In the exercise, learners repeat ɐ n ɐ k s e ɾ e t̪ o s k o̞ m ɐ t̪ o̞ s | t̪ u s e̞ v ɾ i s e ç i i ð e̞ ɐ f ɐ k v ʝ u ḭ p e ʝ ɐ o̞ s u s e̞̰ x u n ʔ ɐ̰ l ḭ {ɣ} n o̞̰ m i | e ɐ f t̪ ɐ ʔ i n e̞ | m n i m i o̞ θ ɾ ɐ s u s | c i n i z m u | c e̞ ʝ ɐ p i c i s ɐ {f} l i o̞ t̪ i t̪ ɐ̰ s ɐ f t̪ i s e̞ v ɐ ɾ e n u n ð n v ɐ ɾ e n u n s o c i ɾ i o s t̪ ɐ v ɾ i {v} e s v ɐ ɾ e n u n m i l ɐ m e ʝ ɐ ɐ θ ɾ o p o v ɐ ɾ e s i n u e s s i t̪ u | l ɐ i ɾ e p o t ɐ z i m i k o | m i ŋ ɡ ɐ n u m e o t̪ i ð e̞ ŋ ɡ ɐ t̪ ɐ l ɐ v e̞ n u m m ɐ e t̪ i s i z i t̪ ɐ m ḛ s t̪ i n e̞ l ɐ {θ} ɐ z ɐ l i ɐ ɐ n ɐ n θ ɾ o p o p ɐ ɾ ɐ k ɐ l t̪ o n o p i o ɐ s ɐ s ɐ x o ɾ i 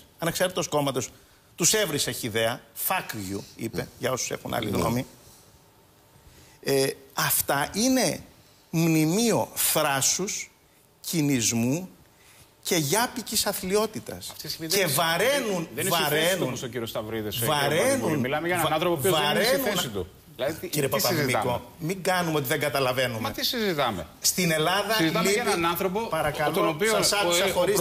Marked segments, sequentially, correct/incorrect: correct, incorrect, incorrect, incorrect

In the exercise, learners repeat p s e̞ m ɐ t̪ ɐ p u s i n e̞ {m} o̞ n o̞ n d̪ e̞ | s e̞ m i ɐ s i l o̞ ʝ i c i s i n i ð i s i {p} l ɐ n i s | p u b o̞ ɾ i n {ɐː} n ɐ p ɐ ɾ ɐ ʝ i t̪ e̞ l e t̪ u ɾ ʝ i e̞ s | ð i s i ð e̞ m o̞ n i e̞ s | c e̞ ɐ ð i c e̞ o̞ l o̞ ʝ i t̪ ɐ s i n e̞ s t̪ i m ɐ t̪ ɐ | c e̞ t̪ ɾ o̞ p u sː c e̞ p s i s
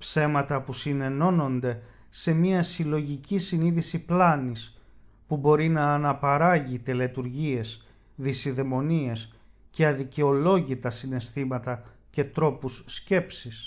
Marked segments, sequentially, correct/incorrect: incorrect, correct, correct

